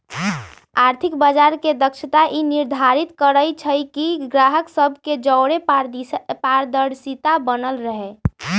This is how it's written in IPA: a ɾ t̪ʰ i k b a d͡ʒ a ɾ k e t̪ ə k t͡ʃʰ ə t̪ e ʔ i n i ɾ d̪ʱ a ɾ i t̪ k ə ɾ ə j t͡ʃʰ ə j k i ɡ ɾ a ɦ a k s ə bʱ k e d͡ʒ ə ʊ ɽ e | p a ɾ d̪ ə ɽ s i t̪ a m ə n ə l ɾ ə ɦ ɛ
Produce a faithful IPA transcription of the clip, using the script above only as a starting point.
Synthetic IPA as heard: a ɾ t̪ʰ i k b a d͡ʒ a ɾ k e d̪ ə k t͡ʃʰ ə t̪ a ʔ i n i ɾ d̪ʱ a ɾ i t̪ k ə ɾ ə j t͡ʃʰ ə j k i ɡ ɾ a ɦ ə k s ə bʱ k e d͡ʒ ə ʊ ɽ e | p a ɾ d̪ ə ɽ s i t̪ a b ə n ə l ɾ ə ɦ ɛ